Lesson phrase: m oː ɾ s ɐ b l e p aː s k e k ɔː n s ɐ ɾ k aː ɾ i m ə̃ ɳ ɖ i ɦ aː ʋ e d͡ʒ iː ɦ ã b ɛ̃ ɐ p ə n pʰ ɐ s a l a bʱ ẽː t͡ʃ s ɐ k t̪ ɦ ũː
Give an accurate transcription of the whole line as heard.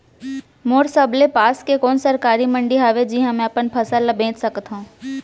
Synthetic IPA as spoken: m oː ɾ s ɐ b l e p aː s k e k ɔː n s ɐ ɾ k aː ɾ i m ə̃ ɳ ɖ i ɦ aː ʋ e d͡ʒ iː ɦ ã m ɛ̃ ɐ p ə n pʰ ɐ s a l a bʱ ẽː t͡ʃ s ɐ k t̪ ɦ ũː